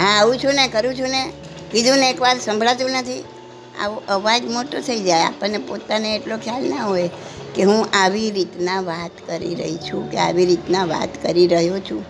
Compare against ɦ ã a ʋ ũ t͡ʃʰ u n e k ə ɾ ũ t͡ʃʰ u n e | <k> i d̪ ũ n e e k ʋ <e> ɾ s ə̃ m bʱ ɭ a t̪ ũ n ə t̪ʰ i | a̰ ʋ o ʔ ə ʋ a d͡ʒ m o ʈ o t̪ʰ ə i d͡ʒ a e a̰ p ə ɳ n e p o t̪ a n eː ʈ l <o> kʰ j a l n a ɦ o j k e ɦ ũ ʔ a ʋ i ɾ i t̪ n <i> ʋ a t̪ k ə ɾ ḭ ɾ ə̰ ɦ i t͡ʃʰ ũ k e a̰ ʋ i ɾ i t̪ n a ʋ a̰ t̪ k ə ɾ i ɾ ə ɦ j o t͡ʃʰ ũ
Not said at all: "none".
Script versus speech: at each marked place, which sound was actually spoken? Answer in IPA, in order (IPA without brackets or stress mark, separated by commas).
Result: k, a, o, a